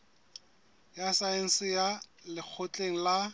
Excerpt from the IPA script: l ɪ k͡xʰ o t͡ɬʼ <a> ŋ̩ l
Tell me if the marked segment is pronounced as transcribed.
no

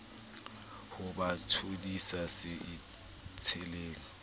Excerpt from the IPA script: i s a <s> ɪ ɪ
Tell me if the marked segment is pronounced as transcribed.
yes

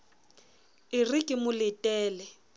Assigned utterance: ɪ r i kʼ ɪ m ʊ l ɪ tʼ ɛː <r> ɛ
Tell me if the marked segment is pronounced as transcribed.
no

